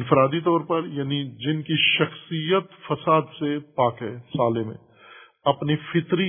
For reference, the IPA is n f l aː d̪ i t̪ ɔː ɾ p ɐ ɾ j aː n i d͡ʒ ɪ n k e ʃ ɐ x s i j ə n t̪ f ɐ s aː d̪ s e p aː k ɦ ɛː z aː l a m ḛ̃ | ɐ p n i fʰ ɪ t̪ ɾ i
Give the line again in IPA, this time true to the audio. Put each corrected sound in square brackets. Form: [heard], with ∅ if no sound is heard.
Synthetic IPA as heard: n f [ɾ] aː d̪ i t̪ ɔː ɾ p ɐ ɾ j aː n i d͡ʒ ɪ n k [i] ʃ ɐ x s i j ə [∅] t̪ f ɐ s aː d̪ s e p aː k ɦ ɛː [s] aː l [e] m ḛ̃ | ɐ p n i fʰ ɪ t̪ ɾ i